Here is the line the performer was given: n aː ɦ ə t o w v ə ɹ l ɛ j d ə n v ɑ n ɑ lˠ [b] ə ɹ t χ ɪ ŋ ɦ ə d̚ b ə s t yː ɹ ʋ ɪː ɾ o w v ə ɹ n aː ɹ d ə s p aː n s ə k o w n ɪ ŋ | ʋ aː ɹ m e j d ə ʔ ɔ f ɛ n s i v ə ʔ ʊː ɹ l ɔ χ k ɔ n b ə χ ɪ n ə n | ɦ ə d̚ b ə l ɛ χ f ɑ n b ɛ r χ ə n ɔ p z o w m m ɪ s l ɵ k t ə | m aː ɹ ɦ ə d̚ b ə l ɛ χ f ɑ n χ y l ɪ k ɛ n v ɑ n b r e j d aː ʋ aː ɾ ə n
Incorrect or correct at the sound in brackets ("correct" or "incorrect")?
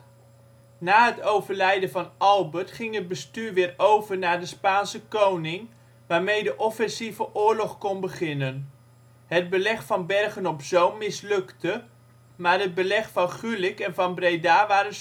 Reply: correct